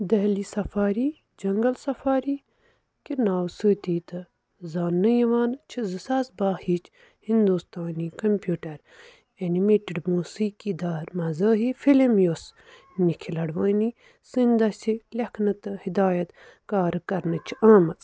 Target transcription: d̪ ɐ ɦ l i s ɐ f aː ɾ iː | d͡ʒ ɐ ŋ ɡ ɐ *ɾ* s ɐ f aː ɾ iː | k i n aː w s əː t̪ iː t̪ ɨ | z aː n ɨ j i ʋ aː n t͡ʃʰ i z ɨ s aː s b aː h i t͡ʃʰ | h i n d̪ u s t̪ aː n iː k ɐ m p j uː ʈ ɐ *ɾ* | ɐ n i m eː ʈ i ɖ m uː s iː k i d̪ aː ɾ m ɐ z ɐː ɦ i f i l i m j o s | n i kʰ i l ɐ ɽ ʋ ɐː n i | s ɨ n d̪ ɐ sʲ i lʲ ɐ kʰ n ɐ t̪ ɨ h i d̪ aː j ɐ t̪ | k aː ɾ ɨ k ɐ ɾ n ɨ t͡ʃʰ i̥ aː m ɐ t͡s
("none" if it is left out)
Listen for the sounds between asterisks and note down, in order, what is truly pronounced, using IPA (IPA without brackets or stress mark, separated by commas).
l, ɾ